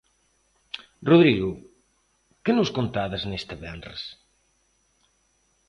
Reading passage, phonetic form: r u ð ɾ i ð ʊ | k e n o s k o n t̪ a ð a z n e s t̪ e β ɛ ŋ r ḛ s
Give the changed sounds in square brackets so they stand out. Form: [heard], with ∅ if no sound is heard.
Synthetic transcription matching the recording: r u ð ɾ i [ɣ] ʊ | k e n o s k o n t̪ a ð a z n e s t̪ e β ɛ [n] r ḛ s